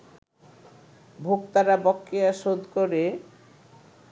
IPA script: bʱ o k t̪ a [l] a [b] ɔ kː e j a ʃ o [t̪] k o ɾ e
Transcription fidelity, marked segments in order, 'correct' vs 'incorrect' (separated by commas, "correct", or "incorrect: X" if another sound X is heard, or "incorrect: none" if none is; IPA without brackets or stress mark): incorrect: ɾ, correct, incorrect: d̪